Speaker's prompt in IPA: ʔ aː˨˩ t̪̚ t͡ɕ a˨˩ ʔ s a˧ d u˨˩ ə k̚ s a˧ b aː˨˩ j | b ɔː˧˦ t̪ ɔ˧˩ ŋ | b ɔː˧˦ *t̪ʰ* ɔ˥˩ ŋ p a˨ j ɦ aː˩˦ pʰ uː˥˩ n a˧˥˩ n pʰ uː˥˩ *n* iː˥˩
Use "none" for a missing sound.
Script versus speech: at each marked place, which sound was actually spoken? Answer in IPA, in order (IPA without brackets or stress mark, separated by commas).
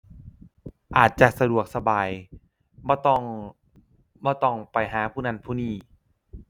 t̪, n